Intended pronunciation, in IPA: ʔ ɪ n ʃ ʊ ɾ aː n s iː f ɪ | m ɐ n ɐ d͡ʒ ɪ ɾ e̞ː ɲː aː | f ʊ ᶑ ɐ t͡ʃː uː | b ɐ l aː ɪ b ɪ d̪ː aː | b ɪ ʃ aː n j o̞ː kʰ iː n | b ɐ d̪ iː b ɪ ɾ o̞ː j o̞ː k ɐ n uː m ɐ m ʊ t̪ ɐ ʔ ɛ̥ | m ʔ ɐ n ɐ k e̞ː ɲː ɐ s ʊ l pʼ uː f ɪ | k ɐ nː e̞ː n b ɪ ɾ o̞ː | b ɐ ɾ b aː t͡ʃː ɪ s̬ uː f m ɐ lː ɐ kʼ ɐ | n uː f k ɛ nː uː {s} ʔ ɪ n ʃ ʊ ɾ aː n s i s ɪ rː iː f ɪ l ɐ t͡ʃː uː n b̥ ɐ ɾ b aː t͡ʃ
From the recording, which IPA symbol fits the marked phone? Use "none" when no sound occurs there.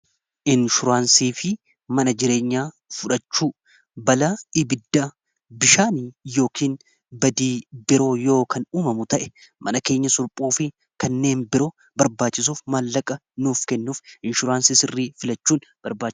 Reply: f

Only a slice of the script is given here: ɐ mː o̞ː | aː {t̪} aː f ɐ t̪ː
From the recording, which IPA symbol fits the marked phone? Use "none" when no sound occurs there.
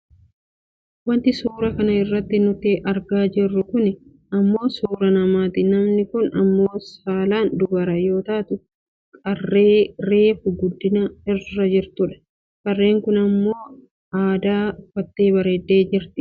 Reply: d̪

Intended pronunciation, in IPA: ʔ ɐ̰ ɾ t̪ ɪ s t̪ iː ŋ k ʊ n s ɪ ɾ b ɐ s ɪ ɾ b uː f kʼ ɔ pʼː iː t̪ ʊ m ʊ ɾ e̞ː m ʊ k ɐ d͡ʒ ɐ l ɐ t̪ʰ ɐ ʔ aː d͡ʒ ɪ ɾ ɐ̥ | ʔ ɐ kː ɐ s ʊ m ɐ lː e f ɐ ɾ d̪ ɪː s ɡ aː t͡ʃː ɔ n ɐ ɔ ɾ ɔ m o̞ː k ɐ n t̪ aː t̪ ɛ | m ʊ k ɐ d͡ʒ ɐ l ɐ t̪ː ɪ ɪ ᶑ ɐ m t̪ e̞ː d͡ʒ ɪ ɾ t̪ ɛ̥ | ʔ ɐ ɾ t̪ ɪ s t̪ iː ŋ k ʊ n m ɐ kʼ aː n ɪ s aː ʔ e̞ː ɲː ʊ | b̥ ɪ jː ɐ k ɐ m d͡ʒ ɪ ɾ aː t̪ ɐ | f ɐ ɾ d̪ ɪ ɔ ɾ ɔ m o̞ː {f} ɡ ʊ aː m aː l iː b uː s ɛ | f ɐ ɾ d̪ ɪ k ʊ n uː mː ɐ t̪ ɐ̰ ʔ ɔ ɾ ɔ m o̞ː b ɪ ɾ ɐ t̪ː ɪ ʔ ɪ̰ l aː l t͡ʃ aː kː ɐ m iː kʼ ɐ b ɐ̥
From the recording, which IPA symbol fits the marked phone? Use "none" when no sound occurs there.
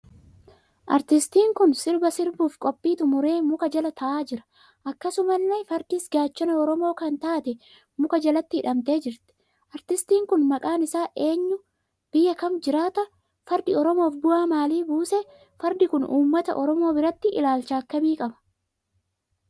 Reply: f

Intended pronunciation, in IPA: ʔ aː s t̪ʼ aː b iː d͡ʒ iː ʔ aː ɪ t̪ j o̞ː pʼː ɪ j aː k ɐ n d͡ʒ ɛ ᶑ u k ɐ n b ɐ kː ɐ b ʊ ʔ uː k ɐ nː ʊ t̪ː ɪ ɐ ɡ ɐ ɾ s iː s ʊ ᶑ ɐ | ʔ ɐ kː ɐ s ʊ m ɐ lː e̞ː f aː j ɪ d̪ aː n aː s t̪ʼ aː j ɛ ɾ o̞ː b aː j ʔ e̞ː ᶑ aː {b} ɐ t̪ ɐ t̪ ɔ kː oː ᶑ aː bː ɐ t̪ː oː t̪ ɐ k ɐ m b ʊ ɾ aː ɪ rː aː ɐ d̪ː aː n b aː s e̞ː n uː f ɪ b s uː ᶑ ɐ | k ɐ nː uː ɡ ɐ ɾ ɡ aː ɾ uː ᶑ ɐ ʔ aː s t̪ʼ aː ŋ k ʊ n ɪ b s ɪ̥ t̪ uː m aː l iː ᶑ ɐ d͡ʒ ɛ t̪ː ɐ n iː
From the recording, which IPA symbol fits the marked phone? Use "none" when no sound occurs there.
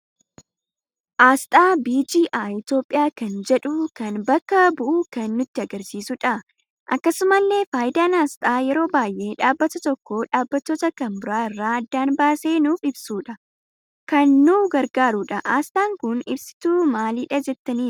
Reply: bː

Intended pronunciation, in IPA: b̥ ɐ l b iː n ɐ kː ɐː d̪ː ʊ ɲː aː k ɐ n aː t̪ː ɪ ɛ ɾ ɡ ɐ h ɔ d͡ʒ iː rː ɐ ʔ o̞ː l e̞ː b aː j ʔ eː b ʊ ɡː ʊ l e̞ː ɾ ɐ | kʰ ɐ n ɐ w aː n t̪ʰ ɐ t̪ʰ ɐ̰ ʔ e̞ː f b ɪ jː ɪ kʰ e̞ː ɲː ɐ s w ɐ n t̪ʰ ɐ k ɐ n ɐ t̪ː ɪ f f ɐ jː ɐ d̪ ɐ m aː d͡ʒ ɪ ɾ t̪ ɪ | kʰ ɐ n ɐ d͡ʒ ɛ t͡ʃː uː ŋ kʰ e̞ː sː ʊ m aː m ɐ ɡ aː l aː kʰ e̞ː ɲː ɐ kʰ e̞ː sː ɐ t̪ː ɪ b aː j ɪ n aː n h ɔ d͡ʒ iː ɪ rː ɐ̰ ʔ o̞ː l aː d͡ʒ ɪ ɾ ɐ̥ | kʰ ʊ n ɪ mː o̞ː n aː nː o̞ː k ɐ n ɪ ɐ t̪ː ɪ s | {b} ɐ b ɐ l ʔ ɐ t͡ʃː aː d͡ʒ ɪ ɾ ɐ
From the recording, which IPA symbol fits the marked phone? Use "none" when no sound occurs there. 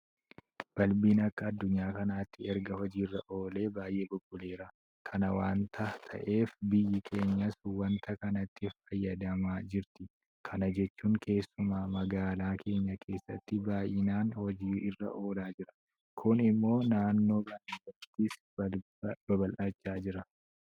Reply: b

